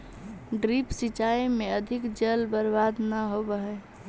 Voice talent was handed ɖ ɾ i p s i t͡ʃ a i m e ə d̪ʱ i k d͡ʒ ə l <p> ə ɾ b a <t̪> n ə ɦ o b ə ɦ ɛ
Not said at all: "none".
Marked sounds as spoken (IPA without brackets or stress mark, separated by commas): b, d̪